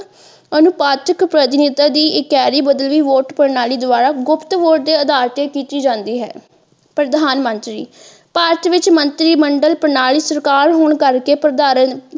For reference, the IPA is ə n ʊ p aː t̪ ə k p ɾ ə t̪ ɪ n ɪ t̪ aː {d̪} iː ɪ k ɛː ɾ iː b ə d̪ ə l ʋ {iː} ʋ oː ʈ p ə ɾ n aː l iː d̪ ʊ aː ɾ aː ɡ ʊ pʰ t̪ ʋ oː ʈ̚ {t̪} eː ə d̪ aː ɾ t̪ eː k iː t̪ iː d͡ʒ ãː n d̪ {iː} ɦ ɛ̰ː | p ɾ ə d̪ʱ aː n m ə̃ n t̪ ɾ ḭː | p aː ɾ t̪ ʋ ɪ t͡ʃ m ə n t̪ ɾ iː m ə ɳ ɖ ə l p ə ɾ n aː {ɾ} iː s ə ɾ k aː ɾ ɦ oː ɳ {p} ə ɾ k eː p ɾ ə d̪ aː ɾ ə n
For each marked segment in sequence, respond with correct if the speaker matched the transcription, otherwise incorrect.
correct, correct, incorrect: d̪, correct, incorrect: l, incorrect: k

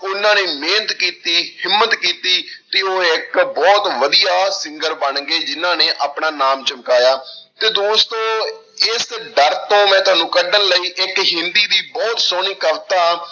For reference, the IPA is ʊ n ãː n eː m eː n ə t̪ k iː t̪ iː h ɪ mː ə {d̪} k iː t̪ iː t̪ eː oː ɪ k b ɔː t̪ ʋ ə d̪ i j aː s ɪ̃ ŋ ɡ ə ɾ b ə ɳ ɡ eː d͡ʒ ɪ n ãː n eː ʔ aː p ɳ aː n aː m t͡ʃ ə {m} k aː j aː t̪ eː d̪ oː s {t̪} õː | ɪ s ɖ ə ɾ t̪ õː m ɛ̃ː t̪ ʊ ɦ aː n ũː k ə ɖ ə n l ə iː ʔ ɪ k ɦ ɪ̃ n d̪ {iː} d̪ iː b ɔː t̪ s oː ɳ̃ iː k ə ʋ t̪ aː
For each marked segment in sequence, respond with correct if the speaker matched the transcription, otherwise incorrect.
incorrect: t̪, correct, correct, correct

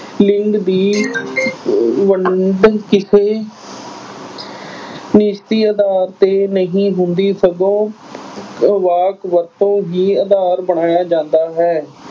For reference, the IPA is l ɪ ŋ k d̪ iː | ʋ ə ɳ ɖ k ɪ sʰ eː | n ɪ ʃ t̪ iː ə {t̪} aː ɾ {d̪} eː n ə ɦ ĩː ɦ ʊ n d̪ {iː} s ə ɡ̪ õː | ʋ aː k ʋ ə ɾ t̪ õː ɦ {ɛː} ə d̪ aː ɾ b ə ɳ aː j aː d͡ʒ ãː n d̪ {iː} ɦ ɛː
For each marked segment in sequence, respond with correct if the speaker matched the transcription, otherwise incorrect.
incorrect: d̪, incorrect: t̪, correct, incorrect: iː, incorrect: aː

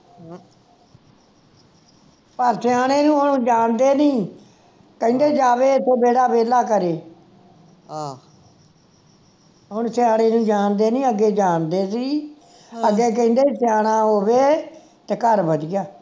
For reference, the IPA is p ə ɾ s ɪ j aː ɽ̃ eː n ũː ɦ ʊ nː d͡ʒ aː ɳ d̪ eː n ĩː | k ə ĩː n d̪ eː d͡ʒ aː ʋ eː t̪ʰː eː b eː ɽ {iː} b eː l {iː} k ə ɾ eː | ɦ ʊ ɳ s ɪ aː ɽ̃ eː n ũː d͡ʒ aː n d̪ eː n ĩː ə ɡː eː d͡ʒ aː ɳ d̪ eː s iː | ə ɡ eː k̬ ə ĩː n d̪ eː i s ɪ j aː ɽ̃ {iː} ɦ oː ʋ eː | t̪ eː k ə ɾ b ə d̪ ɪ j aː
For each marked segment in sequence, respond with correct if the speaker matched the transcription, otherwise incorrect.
incorrect: aː, incorrect: aː, incorrect: aː

